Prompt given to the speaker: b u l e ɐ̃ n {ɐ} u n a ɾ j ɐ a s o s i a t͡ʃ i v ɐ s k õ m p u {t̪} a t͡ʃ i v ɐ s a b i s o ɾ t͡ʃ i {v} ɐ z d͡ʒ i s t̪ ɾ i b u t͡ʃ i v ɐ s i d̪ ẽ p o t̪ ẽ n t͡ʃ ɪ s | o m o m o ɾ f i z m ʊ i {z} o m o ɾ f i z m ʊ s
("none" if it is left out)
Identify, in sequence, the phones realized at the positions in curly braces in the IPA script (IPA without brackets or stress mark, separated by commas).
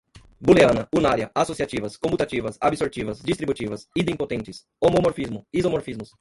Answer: ɐ, t̪, v, z